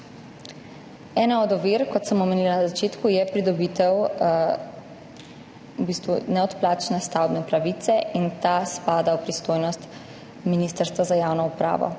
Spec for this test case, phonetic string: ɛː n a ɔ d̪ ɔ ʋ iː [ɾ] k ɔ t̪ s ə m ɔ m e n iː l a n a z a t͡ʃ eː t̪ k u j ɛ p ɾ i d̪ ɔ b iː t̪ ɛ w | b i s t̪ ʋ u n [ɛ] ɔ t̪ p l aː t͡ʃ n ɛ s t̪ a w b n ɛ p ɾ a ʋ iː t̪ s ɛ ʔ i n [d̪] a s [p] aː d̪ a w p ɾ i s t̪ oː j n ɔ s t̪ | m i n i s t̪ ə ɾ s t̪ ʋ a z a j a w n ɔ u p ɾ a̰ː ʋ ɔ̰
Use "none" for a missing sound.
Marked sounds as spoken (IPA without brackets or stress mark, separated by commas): ɾ, ɛ, t̪, p